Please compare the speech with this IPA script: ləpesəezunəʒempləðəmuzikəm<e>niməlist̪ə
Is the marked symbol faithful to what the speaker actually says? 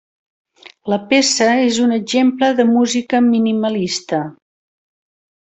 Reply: no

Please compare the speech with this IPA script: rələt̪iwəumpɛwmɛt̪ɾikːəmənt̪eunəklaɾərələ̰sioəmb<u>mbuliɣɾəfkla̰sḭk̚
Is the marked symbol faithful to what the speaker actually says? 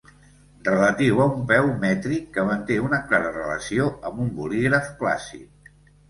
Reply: yes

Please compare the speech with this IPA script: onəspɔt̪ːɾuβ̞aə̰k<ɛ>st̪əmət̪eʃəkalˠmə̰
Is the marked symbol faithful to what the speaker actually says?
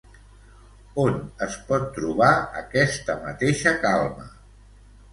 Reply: yes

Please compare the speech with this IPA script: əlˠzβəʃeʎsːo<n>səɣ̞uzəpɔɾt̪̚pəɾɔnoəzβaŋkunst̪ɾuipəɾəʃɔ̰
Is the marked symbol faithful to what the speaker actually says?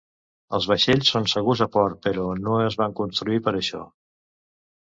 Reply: yes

